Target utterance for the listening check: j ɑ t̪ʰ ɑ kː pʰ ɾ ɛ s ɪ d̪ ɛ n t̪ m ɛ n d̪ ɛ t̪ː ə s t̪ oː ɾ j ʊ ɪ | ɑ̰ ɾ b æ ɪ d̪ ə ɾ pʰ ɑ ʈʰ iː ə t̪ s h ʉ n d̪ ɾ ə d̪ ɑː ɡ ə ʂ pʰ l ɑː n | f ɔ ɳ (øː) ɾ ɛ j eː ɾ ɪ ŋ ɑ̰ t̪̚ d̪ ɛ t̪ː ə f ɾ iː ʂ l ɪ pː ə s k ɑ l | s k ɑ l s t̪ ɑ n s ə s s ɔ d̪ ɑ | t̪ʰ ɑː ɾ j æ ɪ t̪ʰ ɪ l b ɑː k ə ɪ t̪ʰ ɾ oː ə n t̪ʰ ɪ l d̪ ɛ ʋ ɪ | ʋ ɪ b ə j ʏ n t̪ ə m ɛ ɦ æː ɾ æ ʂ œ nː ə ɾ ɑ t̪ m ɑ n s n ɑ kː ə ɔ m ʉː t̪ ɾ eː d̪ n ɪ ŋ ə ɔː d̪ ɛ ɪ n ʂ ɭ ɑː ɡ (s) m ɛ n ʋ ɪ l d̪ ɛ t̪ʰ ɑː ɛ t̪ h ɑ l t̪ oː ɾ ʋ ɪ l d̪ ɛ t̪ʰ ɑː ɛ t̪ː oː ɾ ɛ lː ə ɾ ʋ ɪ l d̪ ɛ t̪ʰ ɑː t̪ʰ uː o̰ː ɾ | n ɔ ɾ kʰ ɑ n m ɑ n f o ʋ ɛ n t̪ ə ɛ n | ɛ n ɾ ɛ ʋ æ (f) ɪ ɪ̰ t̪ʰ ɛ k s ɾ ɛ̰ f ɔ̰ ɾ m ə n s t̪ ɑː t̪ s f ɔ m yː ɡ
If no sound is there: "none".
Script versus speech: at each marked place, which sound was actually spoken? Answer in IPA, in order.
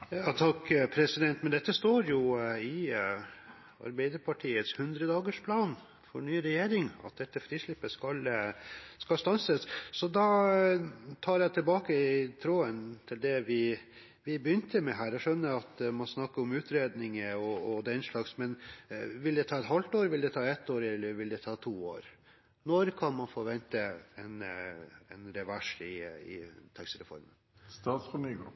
yː, s, ʂ

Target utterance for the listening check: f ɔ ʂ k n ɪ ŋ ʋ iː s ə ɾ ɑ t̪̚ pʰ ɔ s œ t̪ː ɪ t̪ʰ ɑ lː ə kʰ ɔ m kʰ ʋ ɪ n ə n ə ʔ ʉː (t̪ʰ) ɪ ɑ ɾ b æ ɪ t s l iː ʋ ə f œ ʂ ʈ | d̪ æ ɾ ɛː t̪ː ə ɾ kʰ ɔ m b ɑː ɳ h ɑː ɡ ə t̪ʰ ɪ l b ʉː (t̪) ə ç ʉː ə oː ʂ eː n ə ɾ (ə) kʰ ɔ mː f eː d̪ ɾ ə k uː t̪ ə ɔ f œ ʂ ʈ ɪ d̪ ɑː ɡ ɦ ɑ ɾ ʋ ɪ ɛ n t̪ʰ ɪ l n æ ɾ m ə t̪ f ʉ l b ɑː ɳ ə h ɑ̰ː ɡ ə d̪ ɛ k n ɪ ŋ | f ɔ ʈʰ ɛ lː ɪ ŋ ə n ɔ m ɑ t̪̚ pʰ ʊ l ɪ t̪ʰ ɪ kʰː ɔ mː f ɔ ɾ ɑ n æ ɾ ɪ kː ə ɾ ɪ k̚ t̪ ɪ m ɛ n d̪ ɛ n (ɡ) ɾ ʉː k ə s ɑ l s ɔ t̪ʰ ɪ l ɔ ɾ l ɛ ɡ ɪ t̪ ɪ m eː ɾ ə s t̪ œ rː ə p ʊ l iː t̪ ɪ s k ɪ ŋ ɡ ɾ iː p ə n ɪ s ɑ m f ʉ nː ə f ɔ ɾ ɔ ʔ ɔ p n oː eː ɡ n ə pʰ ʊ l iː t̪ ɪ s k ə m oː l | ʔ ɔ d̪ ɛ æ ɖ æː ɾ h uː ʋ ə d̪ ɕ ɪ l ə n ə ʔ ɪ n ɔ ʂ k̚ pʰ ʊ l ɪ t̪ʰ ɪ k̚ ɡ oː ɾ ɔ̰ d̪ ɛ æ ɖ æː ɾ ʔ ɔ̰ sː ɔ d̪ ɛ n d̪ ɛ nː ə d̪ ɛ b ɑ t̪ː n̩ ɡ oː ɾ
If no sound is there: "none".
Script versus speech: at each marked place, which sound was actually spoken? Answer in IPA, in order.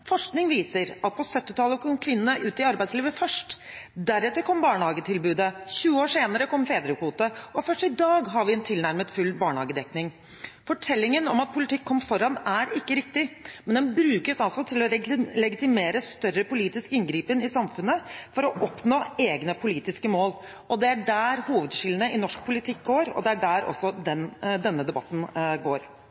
t̪, d̪, ə, b

